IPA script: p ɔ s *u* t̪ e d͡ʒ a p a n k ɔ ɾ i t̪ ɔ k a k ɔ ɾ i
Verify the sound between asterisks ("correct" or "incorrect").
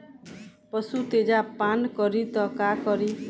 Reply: correct